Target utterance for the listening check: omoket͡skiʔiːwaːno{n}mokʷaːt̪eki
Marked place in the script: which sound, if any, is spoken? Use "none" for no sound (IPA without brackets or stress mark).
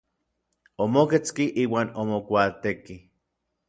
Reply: none